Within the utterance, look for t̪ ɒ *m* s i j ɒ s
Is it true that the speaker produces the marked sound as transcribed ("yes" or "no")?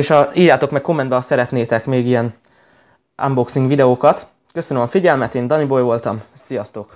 yes